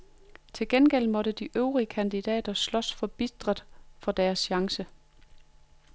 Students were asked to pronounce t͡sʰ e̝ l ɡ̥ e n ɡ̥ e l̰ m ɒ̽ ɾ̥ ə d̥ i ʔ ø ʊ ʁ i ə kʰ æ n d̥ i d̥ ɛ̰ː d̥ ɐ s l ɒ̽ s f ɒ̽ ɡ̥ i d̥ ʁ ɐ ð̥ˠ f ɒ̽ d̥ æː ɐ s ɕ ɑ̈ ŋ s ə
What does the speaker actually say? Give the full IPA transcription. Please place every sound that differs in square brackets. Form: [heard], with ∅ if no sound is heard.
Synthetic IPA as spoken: t͡sʰ e̝ l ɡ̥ e n ɡ̥ e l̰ m ɒ̽ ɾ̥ ə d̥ i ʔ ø ʊ ʁ i ə kʰ æ n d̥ i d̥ ɛ̰ː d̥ ɐ s l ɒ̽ s f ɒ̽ [b̥] i d̥ ʁ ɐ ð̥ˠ f ɒ̽ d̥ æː ɐ s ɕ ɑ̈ ŋ s ə